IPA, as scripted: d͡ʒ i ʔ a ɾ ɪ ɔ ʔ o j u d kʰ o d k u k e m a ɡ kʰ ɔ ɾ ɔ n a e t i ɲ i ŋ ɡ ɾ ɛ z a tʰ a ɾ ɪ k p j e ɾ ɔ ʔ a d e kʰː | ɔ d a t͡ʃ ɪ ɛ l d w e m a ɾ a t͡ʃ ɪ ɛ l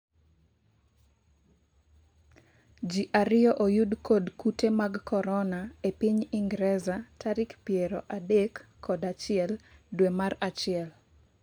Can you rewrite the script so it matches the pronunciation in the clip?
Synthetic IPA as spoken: d͡ʒ i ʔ a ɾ ɪ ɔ ʔ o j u d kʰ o d k u t e m a ɡ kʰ ɔ ɾ ɔ n a e p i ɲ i ŋ ɡ ɾ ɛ z a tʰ a ɾ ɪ k p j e ɾ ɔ ʔ a d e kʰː | ɔ d a t͡ʃ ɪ ɛ l d w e m a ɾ a t͡ʃ ɪ ɛ l

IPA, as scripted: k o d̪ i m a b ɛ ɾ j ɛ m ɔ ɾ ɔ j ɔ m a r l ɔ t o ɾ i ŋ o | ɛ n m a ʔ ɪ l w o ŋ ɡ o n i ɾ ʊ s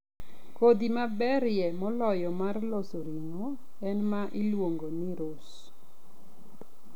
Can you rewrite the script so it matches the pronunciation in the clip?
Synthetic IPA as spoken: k o d̪ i m a b ɛ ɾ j ɛ m ɔ l ɔ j ɔ m a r l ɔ s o ɾ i ŋ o | ɛ n m a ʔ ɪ l w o ŋ ɡ o n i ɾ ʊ s

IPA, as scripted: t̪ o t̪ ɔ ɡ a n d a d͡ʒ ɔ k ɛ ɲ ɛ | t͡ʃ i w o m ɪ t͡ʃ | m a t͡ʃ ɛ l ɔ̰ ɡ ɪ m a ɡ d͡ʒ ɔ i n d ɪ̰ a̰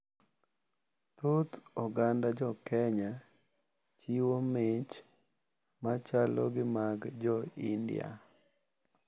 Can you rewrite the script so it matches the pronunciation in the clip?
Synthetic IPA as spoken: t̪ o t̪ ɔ ɡ a n d a d͡ʒ ɔ k ɛ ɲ a | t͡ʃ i w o m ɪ t͡ʃ | m a t͡ʃ a l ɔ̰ ɡ ɪ m a ɡ d͡ʒ ɔ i n d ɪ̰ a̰

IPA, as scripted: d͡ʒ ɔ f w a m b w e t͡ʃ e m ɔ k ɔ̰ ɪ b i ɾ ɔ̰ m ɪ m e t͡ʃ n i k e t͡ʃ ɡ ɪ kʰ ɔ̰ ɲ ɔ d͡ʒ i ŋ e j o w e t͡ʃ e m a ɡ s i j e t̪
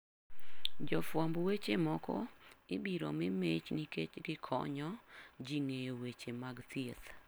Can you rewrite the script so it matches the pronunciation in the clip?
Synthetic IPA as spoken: d͡ʒ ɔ f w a m b w e t͡ʃ e m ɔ k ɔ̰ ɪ b i ɾ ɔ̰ m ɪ m e t͡ʃ n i k e t͡ʃ ɡ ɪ kʰ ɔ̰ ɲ ɔ d͡ʒ i ŋ e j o w e t͡ʃ e m a ɡ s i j e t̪

